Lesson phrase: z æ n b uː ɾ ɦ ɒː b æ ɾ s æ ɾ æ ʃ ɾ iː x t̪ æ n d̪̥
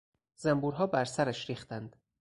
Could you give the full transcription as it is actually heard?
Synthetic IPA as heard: z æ m b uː ɾ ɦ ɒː b æ ɾ s æ ɾ æ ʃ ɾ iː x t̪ æ n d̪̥